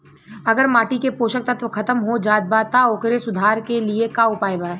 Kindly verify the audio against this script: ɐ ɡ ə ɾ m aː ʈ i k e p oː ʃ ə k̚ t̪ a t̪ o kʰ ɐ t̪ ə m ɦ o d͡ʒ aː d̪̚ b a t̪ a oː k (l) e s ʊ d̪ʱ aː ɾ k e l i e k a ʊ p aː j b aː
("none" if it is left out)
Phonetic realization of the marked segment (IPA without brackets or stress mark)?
ɾ